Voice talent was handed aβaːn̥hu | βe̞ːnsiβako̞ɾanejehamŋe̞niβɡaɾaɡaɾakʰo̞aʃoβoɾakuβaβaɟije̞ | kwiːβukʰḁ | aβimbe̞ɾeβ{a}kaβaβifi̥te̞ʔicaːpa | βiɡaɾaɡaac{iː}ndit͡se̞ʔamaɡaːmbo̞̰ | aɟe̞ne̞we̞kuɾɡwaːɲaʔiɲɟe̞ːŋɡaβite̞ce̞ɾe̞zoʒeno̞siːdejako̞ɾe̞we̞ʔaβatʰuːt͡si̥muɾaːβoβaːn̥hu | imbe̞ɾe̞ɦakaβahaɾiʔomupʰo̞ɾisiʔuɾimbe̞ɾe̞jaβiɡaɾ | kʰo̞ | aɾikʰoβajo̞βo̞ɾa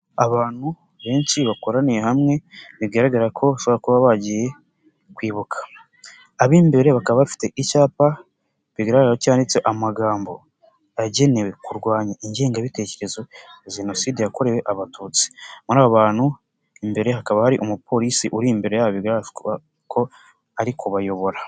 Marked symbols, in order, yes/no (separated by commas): yes, no